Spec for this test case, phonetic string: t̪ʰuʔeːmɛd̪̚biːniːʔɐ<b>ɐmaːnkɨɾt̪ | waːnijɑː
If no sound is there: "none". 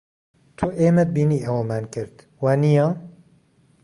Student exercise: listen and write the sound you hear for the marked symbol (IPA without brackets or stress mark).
w